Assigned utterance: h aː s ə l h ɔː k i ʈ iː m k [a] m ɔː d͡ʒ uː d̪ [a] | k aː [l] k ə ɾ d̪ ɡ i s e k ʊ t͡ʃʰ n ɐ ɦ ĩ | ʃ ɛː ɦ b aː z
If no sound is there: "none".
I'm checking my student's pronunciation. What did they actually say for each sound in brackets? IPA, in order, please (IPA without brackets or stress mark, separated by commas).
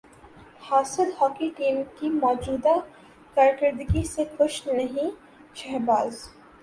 i, a, ɾ